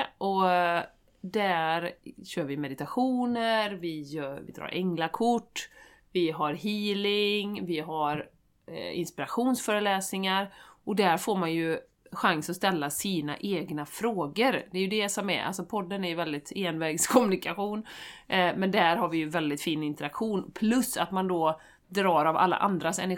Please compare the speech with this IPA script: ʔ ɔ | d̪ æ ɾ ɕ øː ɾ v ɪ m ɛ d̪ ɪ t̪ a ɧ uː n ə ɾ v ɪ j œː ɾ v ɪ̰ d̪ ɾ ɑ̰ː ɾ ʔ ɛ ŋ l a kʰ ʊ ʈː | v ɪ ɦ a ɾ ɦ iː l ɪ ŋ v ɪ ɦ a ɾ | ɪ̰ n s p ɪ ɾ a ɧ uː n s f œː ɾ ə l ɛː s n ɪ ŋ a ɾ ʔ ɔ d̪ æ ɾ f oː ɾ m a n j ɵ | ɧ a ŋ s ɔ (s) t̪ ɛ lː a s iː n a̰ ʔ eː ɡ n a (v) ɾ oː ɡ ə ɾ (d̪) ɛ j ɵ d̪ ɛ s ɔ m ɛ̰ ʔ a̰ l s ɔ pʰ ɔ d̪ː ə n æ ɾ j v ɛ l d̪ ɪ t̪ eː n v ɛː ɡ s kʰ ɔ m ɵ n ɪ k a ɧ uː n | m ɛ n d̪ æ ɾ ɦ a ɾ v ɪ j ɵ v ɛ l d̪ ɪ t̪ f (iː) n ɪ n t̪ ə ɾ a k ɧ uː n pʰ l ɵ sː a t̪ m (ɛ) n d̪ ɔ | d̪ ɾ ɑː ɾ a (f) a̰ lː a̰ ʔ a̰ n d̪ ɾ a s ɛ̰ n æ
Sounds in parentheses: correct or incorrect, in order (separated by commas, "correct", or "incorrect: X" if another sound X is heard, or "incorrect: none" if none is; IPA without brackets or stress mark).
correct, incorrect: f, correct, correct, incorrect: a, incorrect: v